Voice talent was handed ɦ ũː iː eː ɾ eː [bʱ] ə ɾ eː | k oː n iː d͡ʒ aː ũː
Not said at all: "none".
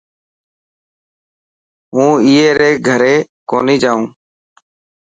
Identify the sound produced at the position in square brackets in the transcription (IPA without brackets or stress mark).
ɡʱ